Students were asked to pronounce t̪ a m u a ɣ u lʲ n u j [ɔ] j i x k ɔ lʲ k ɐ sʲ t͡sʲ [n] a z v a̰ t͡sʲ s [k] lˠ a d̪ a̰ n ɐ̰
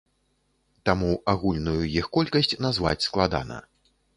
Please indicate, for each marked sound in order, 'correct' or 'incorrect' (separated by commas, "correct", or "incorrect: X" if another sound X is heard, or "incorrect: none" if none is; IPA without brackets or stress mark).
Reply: incorrect: u, correct, correct